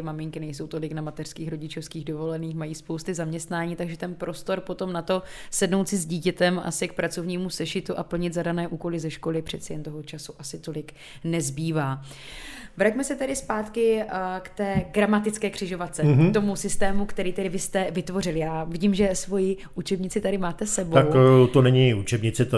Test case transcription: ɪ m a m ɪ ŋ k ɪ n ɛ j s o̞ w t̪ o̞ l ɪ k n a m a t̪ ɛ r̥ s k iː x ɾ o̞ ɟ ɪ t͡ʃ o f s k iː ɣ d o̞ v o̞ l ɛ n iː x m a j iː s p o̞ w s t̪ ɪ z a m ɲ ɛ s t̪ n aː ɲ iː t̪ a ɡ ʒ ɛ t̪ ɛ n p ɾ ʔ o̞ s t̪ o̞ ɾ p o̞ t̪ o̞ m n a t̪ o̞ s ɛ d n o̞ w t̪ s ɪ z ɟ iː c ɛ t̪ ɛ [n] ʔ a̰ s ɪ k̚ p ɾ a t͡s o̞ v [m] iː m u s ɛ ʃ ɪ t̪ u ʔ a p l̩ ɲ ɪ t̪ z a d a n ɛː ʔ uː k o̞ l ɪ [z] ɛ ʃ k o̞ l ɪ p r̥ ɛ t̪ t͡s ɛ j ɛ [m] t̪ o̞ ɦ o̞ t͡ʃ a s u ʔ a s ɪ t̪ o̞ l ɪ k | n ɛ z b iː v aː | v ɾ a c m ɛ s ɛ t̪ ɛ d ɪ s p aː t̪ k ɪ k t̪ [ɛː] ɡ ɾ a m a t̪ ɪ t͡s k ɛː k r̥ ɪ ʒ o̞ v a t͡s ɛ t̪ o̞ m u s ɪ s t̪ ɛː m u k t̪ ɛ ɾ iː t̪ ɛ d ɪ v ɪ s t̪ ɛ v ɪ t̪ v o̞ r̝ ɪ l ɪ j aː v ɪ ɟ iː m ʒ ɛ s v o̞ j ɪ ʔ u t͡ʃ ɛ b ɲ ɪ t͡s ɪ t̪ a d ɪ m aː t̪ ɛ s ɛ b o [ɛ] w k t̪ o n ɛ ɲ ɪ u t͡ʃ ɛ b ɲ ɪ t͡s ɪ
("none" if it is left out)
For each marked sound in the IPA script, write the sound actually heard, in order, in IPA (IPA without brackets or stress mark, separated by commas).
m, ɲ, z, n, ɛː, a